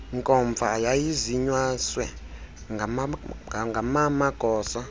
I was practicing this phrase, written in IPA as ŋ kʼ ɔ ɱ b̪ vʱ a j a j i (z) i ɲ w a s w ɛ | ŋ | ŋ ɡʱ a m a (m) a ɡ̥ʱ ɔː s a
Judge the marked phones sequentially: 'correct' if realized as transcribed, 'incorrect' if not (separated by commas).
correct, correct